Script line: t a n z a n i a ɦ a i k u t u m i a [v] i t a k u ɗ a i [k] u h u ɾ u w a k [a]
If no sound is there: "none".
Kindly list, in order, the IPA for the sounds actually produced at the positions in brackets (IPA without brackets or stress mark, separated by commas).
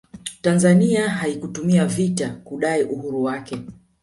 v, ʔ, ɛ